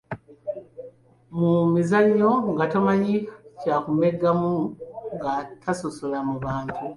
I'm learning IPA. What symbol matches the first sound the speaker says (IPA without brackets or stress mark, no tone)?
m